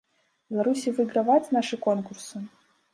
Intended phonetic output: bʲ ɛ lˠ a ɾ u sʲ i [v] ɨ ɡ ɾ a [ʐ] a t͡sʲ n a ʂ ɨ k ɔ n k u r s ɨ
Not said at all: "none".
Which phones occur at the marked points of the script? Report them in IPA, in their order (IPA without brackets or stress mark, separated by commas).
v, v